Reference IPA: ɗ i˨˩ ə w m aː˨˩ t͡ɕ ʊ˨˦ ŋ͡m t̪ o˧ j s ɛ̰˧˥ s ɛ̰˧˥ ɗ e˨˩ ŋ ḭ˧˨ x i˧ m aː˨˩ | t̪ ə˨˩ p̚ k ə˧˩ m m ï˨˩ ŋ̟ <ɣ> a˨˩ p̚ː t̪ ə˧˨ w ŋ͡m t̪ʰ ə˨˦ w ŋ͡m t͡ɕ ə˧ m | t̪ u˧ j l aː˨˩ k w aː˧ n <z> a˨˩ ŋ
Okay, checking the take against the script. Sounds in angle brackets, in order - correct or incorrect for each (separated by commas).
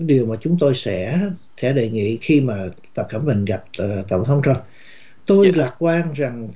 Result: correct, correct